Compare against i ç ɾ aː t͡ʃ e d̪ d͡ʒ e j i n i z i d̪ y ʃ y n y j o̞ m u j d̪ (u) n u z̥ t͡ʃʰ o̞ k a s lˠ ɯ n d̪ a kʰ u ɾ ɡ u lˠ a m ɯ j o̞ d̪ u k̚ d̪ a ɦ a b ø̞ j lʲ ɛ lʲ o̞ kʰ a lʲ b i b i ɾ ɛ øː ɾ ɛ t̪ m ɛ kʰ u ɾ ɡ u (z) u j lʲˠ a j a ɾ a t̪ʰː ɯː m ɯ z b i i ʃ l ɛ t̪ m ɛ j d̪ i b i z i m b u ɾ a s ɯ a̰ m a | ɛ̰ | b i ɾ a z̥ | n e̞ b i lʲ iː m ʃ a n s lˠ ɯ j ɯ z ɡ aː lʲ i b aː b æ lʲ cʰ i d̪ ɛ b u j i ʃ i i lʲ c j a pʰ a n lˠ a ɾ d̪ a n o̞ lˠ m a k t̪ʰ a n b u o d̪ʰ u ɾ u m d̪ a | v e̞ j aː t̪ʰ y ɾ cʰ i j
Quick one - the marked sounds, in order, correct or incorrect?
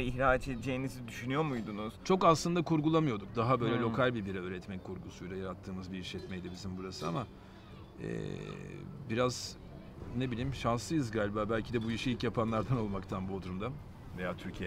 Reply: correct, incorrect: s

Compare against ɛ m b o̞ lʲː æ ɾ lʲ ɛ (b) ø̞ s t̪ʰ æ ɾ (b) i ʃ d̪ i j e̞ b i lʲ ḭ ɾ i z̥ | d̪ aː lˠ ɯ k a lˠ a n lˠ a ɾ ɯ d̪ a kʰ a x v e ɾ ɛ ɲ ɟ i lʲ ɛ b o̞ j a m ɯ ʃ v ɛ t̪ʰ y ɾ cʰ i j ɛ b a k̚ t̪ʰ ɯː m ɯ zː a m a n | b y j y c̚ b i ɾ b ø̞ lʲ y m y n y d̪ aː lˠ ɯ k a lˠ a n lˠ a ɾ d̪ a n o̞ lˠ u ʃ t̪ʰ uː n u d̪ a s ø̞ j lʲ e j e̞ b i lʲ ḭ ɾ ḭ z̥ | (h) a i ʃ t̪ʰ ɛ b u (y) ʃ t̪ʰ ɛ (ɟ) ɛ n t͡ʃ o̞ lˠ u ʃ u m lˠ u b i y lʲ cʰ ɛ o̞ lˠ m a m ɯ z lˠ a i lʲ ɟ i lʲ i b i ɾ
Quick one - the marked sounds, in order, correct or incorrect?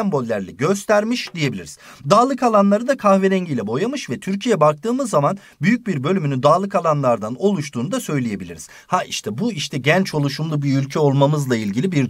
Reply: incorrect: ɟ, incorrect: m, correct, incorrect: i, correct

